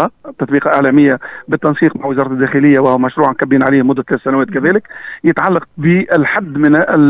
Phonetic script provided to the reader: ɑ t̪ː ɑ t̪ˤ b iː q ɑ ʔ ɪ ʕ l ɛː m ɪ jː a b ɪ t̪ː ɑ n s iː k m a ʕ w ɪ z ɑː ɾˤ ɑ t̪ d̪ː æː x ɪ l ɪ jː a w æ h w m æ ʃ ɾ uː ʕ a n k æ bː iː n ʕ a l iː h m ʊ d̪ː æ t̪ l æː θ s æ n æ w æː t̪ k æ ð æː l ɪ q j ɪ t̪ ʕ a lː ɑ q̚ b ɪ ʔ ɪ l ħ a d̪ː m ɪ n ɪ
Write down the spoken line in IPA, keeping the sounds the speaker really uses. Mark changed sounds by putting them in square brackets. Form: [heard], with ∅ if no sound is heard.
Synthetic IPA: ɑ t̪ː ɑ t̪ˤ b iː q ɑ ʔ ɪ ʕ l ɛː m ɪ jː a b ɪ t̪ː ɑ n s iː [q] m a ʕ w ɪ z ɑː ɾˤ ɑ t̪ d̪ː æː x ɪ l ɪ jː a w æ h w m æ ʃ ɾ uː ʕ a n k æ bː iː n ʕ a l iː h m ʊ d̪ː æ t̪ l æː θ s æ n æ w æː t̪ k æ ð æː l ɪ [k] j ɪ t̪ ʕ a lː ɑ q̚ b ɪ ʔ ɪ l ħ a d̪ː m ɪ n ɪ